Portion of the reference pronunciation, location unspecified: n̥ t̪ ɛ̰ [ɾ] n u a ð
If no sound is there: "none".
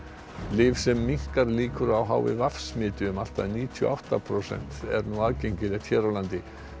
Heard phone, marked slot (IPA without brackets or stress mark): ɾ